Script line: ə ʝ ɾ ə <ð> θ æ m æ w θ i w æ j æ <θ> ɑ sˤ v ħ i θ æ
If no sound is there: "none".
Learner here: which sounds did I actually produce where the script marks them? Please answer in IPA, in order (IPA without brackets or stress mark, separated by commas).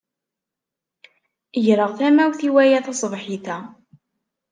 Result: ʁ, θ